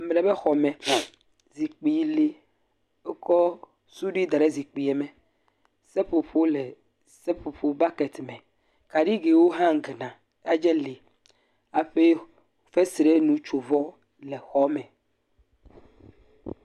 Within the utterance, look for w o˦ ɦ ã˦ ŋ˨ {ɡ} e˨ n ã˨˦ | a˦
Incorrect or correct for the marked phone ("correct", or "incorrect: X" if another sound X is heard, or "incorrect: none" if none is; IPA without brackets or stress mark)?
correct